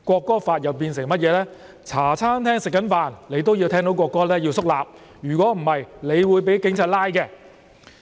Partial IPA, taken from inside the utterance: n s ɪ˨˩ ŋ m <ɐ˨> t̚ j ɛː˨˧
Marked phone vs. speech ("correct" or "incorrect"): incorrect